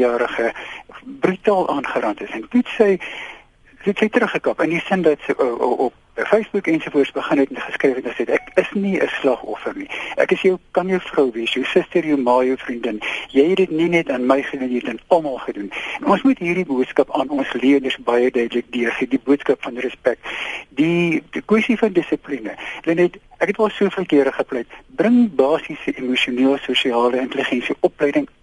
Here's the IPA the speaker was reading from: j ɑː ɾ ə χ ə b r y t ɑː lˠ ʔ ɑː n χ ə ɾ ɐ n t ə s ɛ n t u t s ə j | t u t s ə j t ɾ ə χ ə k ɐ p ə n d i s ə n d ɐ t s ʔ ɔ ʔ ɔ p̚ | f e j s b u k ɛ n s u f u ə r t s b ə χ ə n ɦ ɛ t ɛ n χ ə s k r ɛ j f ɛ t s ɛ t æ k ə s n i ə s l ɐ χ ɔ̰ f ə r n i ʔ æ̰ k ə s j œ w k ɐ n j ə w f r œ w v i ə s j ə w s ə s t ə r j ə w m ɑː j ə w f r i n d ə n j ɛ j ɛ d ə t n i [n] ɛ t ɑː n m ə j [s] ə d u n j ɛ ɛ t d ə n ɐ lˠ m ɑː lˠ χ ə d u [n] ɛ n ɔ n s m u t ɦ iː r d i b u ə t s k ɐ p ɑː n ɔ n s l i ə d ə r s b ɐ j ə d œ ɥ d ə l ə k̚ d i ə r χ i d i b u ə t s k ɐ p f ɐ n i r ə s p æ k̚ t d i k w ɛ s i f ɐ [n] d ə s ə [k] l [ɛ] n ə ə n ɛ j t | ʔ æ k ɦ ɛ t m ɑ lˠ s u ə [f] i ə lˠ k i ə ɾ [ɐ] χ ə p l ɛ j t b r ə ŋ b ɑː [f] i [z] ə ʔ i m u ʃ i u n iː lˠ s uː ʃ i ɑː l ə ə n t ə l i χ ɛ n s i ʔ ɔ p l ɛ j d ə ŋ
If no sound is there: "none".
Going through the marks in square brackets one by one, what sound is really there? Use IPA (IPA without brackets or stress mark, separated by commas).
n, χ, n, n, p, i, f, ə, s, s